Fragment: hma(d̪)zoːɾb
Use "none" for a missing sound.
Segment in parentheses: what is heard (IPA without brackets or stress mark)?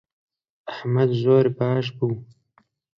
d̪